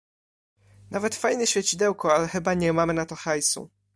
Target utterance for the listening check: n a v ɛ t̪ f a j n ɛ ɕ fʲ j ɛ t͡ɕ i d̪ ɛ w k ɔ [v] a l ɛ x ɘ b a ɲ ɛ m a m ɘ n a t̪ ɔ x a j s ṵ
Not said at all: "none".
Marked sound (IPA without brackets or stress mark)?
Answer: none